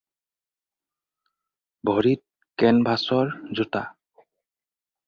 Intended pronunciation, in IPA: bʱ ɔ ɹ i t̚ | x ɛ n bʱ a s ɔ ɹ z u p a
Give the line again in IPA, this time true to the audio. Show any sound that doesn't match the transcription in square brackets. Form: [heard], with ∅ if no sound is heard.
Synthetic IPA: bʱ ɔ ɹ i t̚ | [k] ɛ n bʱ a s ɔ ɹ z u [t] a